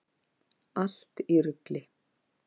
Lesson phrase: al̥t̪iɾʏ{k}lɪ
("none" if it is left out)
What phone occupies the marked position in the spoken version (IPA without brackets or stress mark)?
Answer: k